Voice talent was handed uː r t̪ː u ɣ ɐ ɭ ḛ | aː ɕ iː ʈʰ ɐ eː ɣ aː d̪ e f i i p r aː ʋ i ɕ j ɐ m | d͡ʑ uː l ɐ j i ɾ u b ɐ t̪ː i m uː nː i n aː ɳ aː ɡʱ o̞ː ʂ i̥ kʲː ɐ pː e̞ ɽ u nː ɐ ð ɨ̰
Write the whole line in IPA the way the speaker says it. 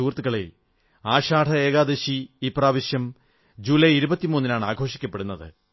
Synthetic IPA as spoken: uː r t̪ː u ɣ ɐ ɭ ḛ | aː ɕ aː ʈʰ ɐ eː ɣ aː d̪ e ɕ i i p r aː ʋ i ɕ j ɐ m | d͡ʑ uː l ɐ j i ɾ u b ɐ t̪ː i m uː nː i n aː ɳ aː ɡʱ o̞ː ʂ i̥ kʲː ɐ pː e̞ ɽ u nː ɐ ð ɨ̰